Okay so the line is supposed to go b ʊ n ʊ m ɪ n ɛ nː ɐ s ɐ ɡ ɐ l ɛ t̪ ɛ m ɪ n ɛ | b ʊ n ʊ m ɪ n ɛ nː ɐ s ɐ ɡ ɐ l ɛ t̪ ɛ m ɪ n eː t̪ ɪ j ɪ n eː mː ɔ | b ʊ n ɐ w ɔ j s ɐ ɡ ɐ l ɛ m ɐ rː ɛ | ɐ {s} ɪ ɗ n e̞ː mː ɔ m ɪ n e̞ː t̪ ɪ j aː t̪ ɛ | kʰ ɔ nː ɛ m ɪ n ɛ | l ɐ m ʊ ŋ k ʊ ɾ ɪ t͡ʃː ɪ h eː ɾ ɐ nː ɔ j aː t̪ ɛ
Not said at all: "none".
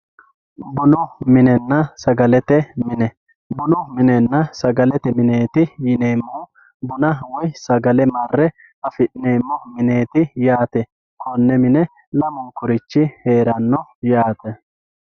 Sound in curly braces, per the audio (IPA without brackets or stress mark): f